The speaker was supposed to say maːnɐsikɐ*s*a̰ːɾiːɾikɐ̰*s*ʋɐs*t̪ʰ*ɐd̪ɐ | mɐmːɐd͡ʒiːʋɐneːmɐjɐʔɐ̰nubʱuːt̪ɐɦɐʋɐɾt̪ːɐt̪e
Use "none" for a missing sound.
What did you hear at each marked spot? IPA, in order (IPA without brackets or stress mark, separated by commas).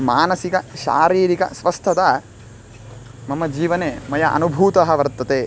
ʃ, s, t̪ʰ